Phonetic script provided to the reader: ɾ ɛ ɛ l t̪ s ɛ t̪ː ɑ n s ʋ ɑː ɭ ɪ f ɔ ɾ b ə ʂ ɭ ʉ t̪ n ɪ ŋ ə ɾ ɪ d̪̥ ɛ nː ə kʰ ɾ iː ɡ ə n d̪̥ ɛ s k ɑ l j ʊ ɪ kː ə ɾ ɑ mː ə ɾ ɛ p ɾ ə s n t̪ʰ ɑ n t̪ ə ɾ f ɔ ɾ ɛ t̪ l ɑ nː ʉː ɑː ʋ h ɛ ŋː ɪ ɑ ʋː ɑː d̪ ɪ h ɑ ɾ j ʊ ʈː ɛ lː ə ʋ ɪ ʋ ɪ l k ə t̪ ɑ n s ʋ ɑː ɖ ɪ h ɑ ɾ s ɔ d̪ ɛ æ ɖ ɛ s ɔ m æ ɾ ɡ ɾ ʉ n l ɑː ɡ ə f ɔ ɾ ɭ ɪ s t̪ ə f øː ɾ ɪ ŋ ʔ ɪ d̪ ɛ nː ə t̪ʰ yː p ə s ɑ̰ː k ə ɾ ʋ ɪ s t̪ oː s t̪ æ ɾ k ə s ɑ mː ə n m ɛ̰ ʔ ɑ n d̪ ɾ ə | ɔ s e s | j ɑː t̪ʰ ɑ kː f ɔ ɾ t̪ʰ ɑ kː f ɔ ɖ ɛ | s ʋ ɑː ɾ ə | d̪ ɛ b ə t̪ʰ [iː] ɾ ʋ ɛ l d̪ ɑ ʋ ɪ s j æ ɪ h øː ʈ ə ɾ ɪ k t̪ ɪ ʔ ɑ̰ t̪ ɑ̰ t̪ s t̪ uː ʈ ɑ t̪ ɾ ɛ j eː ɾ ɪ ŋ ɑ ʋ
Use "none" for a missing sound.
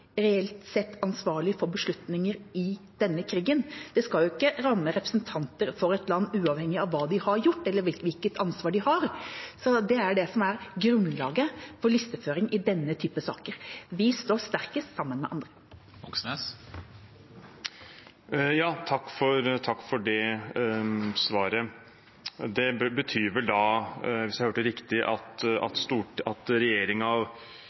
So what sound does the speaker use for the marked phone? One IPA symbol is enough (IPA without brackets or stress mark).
yː